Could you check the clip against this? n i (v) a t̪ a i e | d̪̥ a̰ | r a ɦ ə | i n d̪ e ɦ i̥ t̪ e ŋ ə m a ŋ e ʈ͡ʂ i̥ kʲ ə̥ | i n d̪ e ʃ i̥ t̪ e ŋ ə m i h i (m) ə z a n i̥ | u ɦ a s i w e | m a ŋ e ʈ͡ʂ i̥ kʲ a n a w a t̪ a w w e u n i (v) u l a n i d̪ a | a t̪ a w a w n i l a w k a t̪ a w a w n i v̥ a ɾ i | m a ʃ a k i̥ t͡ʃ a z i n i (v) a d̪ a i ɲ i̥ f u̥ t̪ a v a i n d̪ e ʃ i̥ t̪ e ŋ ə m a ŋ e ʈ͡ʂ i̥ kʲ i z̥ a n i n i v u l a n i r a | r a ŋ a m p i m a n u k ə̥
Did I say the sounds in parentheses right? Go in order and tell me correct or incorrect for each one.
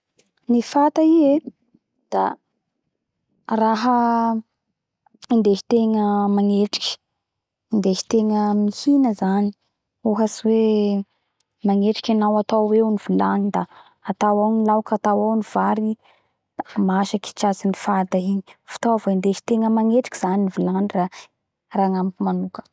incorrect: f, incorrect: n, correct, incorrect: f

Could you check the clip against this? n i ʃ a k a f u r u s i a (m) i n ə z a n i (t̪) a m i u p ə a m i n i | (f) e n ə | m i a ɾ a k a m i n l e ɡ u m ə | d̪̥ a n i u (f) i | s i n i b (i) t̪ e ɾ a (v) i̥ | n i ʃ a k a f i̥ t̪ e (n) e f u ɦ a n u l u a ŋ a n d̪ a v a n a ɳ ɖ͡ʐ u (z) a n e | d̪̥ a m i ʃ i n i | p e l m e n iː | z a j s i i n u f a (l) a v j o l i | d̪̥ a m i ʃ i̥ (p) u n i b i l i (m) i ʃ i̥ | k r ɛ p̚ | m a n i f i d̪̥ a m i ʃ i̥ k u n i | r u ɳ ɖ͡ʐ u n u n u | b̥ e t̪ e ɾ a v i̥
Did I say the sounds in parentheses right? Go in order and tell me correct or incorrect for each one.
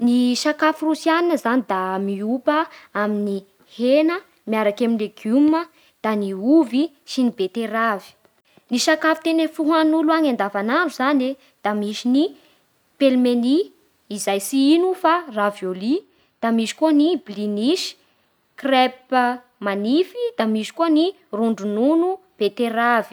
incorrect: n, incorrect: d̪, incorrect: h, incorrect: v, incorrect: e, correct, correct, correct, incorrect: r, incorrect: k, incorrect: n

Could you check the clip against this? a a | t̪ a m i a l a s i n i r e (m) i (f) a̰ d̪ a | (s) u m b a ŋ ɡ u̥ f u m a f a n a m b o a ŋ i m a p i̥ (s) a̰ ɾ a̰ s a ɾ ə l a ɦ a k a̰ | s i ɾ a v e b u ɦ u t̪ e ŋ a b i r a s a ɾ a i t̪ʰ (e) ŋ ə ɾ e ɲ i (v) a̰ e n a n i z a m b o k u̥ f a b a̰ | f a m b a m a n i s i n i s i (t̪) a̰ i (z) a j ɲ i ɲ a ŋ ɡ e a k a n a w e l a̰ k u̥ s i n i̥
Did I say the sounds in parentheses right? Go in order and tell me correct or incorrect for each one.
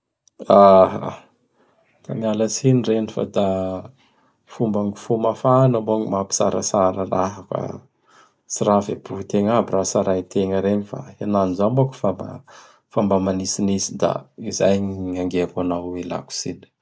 incorrect: n, correct, incorrect: f, correct, correct, incorrect: f, incorrect: d̪, correct

